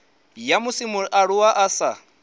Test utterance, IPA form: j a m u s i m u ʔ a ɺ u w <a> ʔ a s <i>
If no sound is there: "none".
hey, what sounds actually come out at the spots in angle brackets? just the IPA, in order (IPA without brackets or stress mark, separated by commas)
a, a